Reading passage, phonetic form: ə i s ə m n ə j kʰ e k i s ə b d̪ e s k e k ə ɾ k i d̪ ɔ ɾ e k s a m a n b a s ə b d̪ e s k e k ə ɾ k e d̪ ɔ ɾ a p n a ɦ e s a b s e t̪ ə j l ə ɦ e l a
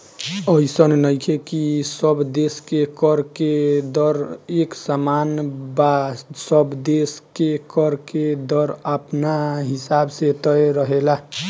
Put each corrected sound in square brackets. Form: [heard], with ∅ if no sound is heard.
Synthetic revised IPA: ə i s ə [n] n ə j kʰ e k i s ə b d̪ e s k e k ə ɾ k [e] d̪ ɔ ɾ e k s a m a n b a s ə b d̪ e s k e k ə ɾ k e d̪ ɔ ɾ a p n a ɦ [i] s a b s e t̪ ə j [ɾ] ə ɦ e l a